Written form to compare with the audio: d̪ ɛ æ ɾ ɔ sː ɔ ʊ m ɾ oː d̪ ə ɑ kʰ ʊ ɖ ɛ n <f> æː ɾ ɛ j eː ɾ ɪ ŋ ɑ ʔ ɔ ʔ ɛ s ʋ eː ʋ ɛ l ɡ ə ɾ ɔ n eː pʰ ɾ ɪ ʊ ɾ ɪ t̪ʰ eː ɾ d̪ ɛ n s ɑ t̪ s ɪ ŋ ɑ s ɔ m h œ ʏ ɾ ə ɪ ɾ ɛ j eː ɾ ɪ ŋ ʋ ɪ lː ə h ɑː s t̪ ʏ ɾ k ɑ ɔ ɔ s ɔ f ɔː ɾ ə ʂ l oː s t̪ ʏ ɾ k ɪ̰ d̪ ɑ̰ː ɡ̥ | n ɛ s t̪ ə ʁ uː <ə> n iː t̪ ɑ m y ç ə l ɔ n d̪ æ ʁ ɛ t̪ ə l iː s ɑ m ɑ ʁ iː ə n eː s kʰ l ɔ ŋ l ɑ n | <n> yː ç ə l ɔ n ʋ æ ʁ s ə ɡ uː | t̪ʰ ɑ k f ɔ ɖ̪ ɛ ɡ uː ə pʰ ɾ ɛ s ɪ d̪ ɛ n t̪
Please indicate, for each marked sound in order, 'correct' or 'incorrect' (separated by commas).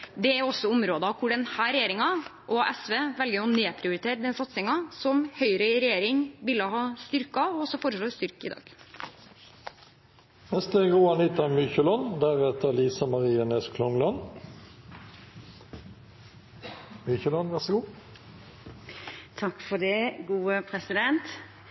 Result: incorrect, incorrect, incorrect